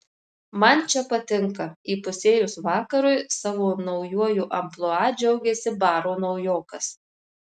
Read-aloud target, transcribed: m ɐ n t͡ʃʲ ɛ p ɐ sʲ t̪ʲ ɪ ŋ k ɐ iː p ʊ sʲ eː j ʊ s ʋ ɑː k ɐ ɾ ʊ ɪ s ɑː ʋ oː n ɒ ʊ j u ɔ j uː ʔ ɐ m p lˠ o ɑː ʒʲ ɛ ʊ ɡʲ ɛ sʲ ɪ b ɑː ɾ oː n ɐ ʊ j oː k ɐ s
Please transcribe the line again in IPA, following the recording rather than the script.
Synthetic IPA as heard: m ɐ n t͡ʃʲ ɛ p ɐ t̪ʲ ɪ ŋ k ɐ iː p ʊ sʲ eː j ʊ s ʋ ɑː k ɐ ɾ ʊ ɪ s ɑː ʋ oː n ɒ ʊ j u ɔ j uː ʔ ɐ m p lˠ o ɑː d͡ʒʲ ɛ ʊ ɡʲ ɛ sʲ ɪ b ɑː ɾ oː n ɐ ʊ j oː k ɐ s